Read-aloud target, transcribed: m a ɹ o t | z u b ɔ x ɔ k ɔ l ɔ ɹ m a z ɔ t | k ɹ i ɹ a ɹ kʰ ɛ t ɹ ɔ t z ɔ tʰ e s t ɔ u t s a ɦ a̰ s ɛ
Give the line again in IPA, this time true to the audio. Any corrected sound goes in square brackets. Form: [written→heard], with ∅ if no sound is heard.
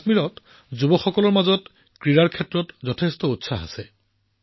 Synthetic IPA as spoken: m [a→i] ɹ [o→ɔ] t | z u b ɔ x ɔ k ɔ l ɔ ɹ m a z ɔ t | k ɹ i ɹ a ɹ kʰ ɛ t ɹ ɔ t z ɔ tʰ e s t ɔ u t s a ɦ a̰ s ɛ